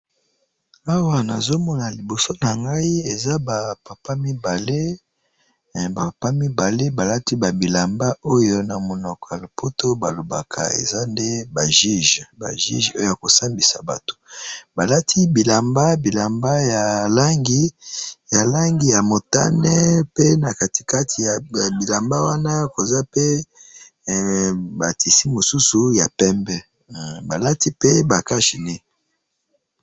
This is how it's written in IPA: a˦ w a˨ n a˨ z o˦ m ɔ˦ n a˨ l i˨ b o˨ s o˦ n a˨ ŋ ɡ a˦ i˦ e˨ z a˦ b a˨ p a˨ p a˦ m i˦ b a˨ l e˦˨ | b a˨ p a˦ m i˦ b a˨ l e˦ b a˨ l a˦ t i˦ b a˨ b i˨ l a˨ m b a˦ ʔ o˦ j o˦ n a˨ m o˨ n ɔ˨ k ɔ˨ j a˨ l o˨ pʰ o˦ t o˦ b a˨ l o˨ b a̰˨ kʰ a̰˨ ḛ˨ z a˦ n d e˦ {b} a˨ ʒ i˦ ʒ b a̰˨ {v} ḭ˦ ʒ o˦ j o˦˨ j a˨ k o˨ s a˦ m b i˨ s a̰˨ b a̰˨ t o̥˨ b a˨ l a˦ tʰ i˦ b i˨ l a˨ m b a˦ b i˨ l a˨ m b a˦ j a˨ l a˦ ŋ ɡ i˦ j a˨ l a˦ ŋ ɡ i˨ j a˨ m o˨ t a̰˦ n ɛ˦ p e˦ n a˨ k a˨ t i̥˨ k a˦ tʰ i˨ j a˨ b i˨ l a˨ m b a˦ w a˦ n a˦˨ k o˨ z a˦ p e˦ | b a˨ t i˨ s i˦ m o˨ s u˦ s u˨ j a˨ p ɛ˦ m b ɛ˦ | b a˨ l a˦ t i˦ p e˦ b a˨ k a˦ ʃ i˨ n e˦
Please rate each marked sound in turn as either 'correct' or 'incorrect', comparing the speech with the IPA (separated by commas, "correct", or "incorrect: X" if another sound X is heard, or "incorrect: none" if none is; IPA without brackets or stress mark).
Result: correct, incorrect: ʒ